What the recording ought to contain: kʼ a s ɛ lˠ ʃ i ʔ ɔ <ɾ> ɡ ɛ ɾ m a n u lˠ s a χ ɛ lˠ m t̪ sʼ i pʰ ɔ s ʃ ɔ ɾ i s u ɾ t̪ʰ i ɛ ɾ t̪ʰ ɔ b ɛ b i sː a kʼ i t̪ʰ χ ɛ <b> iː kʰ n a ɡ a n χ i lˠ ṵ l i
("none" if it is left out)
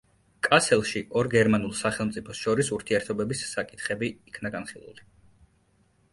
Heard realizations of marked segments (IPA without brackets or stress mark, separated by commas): ɾ, b